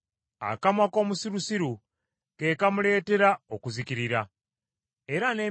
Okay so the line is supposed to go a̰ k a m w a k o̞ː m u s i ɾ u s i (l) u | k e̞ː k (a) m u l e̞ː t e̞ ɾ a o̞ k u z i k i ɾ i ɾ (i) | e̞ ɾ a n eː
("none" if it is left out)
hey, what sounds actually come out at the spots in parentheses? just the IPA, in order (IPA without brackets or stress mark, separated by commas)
ɾ, a, a